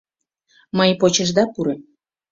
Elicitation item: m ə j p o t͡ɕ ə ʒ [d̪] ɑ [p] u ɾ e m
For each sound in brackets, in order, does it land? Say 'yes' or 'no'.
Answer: yes, yes

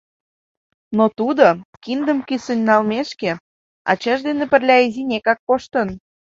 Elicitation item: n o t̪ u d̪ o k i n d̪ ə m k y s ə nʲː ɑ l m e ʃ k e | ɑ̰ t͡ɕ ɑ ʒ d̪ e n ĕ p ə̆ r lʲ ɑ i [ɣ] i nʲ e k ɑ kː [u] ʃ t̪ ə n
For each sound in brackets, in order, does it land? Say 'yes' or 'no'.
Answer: no, no

